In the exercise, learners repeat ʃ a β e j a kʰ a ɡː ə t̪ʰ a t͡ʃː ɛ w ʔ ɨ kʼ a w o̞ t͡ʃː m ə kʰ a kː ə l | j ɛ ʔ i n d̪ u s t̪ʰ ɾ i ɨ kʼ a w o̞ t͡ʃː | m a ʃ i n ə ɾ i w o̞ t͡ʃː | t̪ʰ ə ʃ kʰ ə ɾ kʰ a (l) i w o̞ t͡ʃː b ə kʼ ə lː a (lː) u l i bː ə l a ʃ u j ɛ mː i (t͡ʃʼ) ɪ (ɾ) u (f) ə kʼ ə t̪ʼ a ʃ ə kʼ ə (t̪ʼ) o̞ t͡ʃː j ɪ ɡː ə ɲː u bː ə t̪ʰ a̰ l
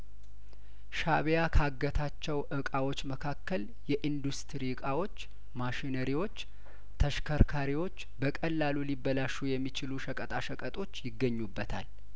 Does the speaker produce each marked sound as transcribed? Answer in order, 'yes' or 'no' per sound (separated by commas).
no, no, no, no, no, yes